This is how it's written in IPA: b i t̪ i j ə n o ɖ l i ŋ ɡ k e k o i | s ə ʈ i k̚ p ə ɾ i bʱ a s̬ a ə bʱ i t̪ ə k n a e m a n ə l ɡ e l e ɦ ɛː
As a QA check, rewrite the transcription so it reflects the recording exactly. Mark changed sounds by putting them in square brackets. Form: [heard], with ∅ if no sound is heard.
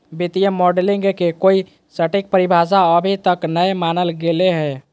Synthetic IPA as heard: b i t̪ i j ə [m] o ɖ l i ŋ ɡ k e k o i | s ə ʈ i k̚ p ə ɾ i bʱ a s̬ a ə bʱ i t̪ ə k n [ə] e m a n ə l ɡ e l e ɦ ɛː